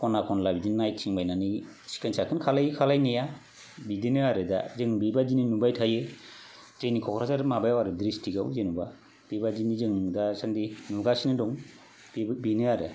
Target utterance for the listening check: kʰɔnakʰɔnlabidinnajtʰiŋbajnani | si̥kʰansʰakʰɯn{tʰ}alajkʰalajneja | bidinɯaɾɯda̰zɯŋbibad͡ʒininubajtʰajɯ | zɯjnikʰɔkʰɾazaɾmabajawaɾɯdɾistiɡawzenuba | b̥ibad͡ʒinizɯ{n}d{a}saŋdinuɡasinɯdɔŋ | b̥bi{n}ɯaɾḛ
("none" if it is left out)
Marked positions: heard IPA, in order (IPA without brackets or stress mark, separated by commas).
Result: kʰ, ŋ, a, n